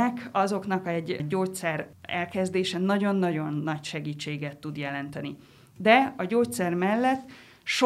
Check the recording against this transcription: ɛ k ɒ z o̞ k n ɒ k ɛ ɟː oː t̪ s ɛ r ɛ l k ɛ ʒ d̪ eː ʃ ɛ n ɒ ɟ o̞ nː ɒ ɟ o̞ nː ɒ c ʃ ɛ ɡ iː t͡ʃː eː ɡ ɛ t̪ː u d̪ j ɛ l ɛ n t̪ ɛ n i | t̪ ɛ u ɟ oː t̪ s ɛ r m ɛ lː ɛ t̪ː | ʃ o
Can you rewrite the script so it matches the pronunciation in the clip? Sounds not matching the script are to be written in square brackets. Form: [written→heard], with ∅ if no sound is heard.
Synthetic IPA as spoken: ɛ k ɒ z o̞ k n ɒ k ɛ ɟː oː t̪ s ɛ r ɛ l k ɛ [ʒ→z] d̪ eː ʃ ɛ n ɒ ɟ o̞ nː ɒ ɟ o̞ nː ɒ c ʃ ɛ ɡ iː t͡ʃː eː ɡ ɛ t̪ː u d̪ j ɛ l ɛ n t̪ ɛ n i | [t̪→d̪] ɛ [u→ɒ] ɟ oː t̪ s ɛ r m ɛ lː ɛ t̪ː | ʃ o